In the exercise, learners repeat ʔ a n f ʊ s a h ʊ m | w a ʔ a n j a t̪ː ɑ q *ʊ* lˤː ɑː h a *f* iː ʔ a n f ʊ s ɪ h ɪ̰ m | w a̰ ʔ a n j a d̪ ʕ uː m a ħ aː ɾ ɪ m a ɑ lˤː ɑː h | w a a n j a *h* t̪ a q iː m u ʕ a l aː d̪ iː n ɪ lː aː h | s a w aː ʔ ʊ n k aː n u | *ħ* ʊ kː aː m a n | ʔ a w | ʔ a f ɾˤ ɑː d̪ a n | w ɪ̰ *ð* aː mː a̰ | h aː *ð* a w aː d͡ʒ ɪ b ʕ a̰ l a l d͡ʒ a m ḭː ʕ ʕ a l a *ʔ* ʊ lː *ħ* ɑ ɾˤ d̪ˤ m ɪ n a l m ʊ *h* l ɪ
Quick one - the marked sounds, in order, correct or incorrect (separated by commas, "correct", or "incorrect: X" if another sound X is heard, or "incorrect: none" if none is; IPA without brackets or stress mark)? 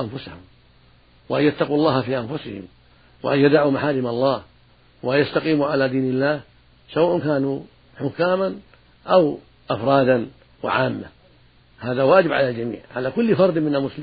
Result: incorrect: u, correct, incorrect: s, correct, incorrect: ʕ, correct, incorrect: k, incorrect: f, incorrect: s